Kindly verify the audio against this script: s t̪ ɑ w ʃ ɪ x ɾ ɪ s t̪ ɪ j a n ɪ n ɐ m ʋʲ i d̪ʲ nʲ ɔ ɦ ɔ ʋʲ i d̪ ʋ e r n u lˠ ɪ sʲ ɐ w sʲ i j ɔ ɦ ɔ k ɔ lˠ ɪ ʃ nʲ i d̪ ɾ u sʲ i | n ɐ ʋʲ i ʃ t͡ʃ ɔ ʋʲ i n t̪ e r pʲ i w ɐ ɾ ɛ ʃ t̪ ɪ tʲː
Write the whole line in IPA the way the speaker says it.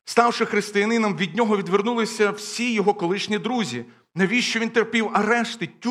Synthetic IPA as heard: s t̪ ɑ w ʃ ɪ x ɾ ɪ s t̪ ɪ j ɐ n ɪ n ɐ m ʋʲ i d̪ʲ nʲ ɔ ɦ ɔ ʋʲ i d̪ ʋ e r n u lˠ ɪ sʲ ɐ w sʲ i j ɔ ɦ ɔ k ɔ lˠ ɪ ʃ nʲ i d̪ ɾ u zʲ i | n ɐ ʋʲ i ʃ t͡ʃ ɔ ʋʲ i n t̪ e r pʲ i w ɐ ɾ ɛ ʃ t̪ ɪ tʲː